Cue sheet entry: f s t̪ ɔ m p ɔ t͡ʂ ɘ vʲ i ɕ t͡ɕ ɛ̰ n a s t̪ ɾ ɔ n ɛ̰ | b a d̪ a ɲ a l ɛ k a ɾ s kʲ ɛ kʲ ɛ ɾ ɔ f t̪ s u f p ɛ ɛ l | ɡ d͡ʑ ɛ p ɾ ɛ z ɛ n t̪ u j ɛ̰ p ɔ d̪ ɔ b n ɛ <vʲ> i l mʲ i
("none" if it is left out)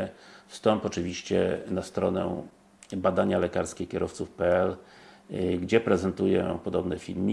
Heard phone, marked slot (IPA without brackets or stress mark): fʲ